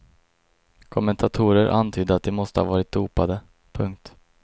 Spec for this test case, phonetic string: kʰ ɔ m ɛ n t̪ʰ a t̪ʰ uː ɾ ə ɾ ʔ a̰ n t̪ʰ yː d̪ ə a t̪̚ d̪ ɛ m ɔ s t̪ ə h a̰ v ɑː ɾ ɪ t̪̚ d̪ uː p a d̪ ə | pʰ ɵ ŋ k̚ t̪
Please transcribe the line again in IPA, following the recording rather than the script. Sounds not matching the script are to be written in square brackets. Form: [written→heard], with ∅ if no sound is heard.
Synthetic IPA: kʰ ɔ m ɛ n t̪ʰ a t̪ʰ uː ɾ ə ɾ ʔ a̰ n t̪ʰ yː d̪ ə a t̪̚ d̪ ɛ m ɔ s t̪ ə h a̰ v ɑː ɾ ɪ t̪̚ d̪ uː p a d̪ ə | pʰ ɵ ŋ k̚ t̪